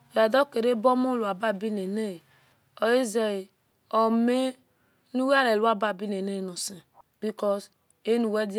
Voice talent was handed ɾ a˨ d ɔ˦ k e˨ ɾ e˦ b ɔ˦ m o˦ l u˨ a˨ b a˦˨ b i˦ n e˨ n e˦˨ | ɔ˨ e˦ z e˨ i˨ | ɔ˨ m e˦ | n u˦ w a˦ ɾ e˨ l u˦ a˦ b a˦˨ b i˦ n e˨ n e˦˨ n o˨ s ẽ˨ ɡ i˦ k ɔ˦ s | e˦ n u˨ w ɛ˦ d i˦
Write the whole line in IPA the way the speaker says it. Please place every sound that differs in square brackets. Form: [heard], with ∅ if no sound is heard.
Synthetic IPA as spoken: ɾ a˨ d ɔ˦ k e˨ ɾ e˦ b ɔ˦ m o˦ l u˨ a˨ b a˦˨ b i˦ n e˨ n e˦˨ | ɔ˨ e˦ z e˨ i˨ | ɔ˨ m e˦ | n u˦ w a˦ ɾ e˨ l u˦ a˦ b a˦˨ b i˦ n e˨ n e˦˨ n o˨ s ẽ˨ [b] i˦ k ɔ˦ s | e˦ n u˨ w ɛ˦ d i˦